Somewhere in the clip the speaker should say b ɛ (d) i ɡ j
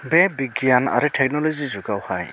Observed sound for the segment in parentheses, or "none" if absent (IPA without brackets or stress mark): b